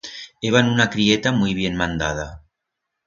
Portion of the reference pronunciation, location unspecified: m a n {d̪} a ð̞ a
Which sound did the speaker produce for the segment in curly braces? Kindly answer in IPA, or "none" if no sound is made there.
d̪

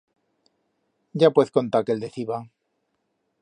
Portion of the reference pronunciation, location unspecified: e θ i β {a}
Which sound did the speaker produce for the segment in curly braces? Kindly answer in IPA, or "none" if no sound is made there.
a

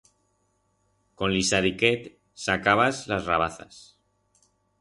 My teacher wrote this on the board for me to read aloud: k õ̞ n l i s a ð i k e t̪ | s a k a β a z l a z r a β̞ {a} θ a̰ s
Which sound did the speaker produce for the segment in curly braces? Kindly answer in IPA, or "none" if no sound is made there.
a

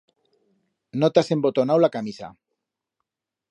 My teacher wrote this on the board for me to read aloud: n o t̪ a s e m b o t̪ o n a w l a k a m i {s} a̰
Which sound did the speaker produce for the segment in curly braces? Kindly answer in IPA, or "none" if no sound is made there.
s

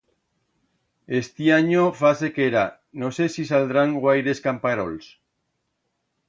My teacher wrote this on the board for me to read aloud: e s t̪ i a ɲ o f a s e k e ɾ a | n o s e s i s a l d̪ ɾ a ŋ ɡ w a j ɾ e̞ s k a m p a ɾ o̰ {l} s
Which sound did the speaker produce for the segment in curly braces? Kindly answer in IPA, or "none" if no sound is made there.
l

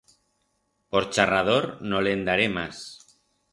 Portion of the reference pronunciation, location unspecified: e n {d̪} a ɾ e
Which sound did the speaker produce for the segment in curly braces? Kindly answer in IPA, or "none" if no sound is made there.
d̪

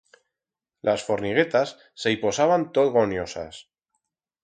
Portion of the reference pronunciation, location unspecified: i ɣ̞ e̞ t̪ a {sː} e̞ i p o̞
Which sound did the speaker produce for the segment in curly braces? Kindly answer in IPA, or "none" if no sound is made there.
sː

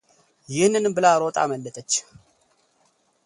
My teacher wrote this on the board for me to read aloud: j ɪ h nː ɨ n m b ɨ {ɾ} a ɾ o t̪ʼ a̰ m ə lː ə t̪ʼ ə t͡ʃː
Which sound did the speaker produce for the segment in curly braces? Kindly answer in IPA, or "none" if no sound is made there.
l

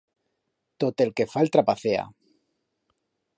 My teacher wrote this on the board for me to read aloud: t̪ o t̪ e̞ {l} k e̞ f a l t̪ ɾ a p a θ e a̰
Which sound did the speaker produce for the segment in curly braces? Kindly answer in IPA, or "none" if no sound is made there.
l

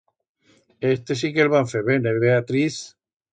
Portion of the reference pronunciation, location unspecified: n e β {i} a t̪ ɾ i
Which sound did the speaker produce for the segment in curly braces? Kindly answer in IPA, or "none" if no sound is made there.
e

